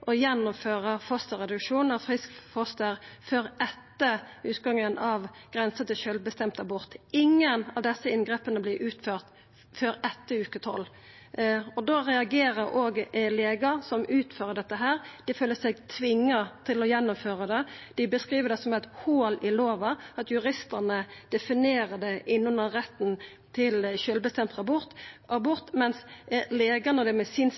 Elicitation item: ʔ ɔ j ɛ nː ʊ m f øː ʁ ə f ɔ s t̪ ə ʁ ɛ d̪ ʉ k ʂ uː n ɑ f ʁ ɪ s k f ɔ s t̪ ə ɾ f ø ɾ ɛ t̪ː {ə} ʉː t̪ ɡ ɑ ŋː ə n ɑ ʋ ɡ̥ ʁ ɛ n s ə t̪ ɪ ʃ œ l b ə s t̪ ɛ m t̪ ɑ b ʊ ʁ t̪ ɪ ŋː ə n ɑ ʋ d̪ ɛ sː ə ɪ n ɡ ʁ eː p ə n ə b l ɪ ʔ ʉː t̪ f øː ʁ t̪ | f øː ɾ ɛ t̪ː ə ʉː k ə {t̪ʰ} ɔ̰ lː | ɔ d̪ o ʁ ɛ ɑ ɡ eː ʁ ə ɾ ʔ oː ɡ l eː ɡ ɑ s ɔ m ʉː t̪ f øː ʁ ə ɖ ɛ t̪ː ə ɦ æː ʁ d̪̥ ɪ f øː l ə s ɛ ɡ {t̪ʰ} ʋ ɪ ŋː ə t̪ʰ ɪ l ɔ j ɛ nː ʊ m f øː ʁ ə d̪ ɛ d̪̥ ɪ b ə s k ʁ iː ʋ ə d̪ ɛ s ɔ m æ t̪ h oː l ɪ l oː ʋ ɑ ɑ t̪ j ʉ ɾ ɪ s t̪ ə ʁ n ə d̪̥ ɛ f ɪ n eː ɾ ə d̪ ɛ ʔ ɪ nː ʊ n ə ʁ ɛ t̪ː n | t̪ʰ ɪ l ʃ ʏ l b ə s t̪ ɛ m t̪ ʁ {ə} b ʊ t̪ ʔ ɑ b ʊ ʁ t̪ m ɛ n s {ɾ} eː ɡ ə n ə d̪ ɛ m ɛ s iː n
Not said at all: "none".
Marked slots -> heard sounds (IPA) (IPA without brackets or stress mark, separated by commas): ə, t̪ʰ, t̪ʰ, ɑ, l